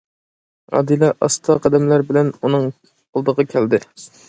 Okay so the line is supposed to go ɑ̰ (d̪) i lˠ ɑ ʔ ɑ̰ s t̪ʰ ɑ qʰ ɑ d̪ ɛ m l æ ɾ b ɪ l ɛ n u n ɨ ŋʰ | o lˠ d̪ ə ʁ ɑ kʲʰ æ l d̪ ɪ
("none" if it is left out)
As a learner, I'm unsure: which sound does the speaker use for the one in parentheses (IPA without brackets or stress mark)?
d̪